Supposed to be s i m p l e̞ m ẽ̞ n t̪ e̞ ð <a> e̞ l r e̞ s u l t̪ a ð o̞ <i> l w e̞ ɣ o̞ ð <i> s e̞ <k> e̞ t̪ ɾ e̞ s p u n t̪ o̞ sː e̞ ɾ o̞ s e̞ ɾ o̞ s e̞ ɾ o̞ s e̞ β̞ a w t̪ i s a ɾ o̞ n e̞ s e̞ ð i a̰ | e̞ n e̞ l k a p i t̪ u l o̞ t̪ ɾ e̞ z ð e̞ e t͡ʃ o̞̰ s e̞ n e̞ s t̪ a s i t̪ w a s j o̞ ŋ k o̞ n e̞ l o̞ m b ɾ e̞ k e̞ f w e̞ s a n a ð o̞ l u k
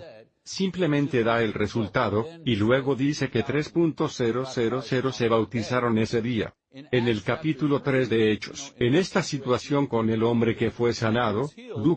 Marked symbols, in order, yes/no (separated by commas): yes, yes, yes, yes